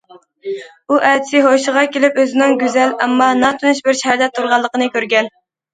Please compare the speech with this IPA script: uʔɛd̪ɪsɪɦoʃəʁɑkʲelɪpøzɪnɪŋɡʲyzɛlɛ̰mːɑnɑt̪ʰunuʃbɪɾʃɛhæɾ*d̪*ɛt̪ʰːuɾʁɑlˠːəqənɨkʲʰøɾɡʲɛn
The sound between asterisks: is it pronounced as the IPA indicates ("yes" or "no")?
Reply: yes